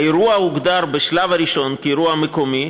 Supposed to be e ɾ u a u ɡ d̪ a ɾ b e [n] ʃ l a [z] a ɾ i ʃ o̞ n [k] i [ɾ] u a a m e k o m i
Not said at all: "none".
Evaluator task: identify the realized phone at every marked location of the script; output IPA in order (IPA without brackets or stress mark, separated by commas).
none, v, k, ɾ